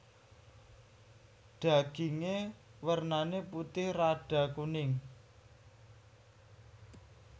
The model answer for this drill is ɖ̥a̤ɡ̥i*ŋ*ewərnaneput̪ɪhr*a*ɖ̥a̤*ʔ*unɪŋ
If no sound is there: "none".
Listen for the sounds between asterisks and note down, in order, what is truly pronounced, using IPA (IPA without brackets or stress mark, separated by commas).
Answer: ŋ, a, k